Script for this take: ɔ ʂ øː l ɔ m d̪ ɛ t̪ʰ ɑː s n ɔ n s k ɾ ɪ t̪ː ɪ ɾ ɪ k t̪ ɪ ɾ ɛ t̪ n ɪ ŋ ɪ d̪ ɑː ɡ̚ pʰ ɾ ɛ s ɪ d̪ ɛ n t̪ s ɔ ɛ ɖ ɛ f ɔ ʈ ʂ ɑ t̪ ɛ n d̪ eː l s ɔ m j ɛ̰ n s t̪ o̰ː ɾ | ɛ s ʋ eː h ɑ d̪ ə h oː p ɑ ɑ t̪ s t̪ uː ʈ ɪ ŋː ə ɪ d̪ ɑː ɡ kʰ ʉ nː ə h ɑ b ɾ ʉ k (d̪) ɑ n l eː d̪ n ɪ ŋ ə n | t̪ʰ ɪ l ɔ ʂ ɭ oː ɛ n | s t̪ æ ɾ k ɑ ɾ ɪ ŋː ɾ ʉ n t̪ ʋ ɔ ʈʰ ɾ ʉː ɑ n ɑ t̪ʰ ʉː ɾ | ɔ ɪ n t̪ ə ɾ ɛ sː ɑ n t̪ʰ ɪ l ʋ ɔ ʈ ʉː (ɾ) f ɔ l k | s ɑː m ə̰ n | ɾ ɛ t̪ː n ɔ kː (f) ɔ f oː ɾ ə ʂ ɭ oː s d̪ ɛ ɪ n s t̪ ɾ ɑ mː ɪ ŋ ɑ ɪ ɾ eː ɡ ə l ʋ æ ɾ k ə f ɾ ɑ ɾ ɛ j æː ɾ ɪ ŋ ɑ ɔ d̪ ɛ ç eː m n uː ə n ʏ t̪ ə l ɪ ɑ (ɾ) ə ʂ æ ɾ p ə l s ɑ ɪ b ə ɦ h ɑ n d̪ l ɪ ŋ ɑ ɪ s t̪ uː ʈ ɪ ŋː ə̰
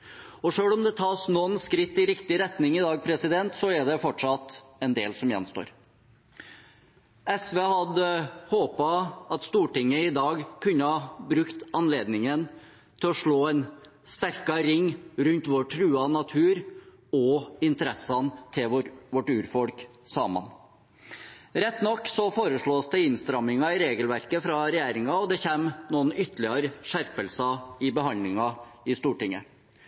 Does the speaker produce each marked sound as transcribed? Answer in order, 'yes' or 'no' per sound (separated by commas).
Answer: no, yes, no, yes